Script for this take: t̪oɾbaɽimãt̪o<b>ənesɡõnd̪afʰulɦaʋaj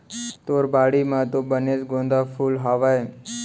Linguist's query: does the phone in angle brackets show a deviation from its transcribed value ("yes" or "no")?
no